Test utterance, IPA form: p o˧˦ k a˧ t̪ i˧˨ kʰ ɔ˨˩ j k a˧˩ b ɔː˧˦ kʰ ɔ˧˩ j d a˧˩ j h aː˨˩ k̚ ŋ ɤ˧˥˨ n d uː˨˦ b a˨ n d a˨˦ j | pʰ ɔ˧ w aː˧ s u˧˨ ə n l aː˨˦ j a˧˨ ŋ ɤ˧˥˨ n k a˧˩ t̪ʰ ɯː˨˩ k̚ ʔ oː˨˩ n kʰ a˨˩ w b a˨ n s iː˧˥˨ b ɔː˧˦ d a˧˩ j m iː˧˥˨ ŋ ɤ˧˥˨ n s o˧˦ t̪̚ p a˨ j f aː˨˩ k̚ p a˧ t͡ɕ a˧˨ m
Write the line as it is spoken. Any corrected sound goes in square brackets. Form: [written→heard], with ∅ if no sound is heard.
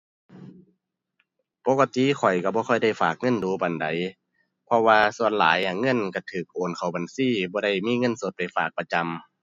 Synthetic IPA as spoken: p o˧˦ k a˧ t̪ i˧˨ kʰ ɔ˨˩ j k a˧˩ b ɔː˧˦ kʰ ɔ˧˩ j d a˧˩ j [h→f] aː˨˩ k̚ ŋ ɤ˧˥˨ n d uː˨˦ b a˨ n d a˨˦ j | pʰ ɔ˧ w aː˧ s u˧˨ ə n l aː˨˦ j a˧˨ ŋ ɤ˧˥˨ n k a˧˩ t̪ʰ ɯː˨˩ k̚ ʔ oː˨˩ n kʰ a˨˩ w b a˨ n s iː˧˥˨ b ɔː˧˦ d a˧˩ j m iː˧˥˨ ŋ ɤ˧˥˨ n s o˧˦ t̪̚ p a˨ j f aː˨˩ k̚ p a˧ t͡ɕ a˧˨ m